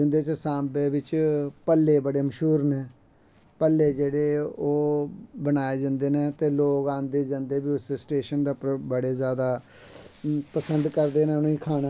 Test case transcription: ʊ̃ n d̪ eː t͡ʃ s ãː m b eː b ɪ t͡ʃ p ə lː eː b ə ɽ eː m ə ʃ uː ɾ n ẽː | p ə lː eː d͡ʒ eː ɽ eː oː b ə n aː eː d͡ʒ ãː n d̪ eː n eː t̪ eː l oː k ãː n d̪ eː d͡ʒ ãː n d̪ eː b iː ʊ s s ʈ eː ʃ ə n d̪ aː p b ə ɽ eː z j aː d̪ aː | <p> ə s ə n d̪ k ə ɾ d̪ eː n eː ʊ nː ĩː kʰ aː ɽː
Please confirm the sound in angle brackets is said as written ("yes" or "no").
yes